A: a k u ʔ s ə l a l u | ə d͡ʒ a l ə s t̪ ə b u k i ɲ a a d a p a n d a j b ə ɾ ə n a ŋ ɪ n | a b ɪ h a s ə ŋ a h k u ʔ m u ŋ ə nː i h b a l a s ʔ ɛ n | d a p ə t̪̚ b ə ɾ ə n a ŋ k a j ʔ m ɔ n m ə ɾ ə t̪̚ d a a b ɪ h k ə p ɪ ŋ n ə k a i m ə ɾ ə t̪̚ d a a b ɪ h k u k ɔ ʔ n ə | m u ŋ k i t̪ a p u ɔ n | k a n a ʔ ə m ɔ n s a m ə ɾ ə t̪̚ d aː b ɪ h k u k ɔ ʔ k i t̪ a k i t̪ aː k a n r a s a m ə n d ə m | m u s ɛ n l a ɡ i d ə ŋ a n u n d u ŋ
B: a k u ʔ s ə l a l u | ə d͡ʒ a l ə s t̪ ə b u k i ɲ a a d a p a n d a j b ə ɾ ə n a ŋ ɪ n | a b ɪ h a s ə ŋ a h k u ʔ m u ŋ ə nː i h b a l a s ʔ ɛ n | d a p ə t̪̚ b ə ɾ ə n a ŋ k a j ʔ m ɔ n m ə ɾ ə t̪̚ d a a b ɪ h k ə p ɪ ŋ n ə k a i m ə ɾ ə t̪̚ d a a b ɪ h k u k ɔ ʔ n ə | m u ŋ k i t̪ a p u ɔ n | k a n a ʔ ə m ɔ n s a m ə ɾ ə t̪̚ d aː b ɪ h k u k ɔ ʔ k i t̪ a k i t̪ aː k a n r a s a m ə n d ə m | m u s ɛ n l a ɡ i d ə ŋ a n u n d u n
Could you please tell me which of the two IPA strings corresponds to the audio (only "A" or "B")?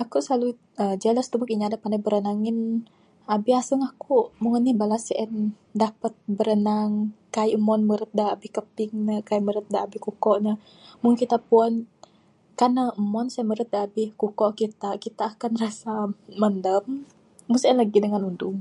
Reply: A